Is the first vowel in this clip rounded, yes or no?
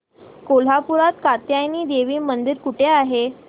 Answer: yes